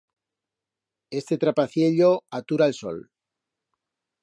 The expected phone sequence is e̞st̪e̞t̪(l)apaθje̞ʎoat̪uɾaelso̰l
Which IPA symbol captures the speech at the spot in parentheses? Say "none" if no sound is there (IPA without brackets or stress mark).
ɾ